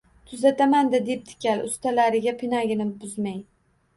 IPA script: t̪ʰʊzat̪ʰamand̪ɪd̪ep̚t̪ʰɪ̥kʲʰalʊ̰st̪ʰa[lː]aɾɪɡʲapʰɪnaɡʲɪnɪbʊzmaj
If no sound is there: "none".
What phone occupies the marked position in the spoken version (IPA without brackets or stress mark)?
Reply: l